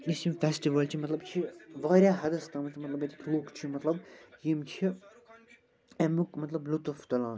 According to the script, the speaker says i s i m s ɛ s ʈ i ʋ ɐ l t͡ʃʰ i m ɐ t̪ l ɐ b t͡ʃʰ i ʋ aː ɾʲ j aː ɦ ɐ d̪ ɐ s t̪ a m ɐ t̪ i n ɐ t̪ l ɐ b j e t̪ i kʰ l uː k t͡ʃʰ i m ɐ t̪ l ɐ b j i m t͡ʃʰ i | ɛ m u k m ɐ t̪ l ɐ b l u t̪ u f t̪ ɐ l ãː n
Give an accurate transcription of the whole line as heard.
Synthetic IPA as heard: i s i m f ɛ s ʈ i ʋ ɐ l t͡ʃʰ i m ɐ t̪ l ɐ b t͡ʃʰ i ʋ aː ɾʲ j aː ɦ ɐ d̪ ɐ s t̪ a m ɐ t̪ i m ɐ t̪ l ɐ b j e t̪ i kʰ l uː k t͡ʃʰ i m ɐ t̪ l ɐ b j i m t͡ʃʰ i | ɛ m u k m ɐ t̪ l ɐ b l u t̪ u f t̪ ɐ l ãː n